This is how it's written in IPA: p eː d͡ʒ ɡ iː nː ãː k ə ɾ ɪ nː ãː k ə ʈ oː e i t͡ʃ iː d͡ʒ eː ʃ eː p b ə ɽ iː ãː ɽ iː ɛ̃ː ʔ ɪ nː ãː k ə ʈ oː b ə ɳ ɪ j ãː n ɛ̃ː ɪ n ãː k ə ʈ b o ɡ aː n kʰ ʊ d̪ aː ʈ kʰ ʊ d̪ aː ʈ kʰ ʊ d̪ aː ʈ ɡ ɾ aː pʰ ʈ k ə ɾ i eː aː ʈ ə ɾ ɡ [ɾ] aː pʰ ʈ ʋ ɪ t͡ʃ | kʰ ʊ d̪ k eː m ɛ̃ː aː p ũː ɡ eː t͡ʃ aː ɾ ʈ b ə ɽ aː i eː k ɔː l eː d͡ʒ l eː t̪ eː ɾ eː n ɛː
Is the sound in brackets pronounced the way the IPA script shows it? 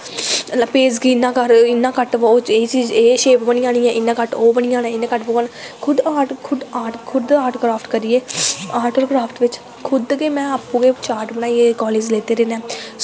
yes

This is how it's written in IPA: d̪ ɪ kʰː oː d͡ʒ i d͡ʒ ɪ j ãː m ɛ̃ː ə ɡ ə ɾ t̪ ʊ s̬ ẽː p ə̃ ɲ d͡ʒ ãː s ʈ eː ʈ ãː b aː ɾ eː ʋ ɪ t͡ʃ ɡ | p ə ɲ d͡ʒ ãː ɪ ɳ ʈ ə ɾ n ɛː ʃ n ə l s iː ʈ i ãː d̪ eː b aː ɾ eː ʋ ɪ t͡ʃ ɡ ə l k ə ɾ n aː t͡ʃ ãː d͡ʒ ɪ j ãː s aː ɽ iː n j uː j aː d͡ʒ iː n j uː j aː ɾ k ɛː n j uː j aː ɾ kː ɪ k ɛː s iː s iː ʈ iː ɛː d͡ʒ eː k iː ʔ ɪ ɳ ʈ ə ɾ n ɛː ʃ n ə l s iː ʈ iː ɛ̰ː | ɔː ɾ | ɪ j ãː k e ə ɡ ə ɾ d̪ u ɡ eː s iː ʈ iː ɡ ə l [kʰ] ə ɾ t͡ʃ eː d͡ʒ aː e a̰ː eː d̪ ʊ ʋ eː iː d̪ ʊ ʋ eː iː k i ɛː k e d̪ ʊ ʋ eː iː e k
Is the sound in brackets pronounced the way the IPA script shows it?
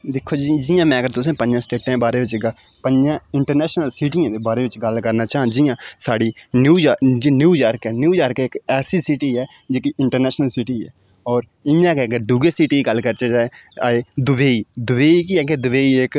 no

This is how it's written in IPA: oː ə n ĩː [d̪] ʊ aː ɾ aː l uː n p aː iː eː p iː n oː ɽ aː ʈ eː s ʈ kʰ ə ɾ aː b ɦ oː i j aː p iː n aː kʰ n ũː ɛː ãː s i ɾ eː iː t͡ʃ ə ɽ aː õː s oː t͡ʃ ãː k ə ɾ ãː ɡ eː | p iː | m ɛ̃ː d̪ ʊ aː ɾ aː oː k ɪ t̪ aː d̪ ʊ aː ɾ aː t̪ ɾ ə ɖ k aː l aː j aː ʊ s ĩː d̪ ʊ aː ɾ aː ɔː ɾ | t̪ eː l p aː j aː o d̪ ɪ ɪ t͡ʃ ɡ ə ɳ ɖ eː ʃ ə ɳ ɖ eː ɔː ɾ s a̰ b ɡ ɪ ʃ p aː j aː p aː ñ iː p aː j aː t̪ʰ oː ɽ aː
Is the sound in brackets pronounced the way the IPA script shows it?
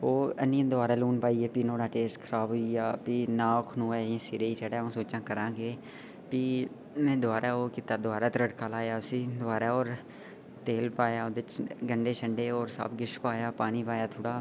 yes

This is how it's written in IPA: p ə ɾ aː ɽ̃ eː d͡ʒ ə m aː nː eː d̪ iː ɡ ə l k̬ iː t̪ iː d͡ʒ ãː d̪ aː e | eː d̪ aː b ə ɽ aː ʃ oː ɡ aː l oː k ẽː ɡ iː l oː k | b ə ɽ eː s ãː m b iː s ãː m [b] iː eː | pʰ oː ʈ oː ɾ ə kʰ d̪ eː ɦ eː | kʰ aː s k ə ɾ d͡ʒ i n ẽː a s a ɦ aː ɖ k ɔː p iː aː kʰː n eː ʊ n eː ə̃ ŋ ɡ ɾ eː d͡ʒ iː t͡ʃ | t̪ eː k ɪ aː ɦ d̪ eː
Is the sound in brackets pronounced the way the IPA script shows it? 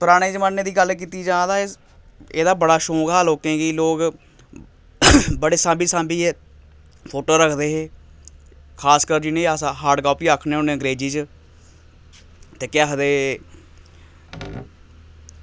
yes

